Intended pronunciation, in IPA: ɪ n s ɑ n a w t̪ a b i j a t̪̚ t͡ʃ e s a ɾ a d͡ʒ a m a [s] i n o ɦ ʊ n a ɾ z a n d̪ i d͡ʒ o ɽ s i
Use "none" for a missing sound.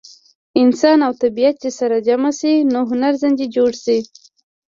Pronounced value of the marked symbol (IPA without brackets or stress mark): s